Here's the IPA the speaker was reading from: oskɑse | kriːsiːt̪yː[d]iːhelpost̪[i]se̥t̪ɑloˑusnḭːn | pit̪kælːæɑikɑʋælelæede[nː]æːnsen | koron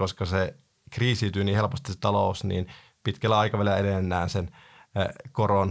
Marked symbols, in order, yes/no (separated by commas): no, yes, yes